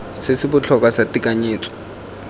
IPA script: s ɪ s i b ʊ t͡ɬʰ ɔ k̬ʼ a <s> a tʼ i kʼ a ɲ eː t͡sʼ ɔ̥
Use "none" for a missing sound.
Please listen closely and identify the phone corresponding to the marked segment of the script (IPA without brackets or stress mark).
s